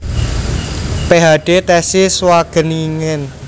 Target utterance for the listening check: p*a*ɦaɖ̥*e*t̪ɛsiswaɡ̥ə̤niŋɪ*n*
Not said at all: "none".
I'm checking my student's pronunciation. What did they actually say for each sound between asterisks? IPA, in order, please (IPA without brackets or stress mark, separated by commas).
e, e, n